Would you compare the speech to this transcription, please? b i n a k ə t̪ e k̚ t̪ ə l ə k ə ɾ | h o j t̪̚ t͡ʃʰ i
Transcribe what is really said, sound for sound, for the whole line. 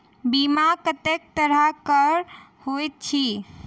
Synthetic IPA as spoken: b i m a k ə t̪ e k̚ t̪ ə ɾ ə k ə ɾ | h o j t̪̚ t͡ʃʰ i